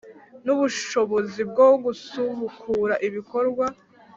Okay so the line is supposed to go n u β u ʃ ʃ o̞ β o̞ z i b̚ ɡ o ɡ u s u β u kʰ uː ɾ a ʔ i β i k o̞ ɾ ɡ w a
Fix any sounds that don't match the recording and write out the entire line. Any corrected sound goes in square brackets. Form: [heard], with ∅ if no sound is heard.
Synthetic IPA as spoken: n u β u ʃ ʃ o̞ β o̞ z i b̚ ɡ o ɡ u s u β u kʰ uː ɾ a ʔ i β i k o̞ ɾ ɡ w a